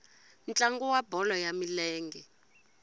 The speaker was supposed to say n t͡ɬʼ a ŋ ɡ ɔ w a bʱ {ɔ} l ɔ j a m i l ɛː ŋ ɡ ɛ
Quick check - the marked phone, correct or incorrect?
correct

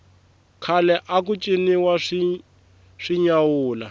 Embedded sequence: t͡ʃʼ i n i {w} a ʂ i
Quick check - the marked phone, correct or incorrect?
correct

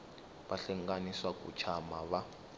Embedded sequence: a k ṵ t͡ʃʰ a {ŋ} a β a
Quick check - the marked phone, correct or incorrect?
incorrect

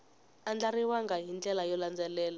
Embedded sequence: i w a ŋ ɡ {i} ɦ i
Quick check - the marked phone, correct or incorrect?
incorrect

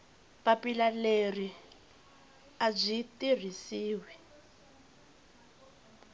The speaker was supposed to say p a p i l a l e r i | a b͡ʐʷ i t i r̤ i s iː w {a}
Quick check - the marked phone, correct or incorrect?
incorrect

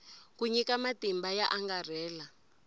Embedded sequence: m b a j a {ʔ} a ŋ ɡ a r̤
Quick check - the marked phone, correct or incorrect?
correct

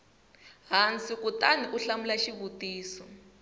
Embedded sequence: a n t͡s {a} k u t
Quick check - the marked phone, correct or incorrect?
incorrect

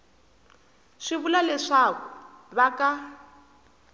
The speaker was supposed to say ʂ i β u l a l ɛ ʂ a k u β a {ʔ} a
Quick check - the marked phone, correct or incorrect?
incorrect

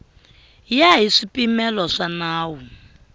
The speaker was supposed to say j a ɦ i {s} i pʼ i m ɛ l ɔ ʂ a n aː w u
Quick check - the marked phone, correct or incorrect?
incorrect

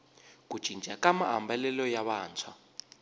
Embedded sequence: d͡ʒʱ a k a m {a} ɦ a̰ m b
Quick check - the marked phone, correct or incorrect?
correct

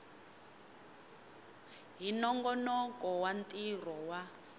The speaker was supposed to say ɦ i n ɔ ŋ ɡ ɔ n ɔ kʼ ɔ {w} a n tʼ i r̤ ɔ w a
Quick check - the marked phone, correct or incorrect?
correct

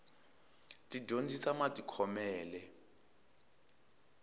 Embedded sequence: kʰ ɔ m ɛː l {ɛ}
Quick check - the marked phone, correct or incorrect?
correct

